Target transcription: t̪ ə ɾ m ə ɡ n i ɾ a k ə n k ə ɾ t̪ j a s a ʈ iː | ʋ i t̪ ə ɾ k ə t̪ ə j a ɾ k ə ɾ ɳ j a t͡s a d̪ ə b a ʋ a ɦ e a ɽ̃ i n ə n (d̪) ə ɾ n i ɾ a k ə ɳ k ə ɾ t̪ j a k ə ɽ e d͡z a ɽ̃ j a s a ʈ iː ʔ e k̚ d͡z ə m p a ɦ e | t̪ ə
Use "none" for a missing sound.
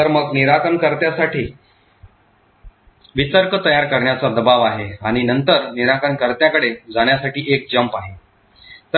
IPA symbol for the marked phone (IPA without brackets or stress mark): t̪